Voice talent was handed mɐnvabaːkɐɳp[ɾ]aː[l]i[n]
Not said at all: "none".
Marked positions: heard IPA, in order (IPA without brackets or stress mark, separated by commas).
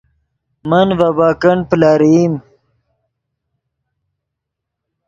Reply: l, ɾ, m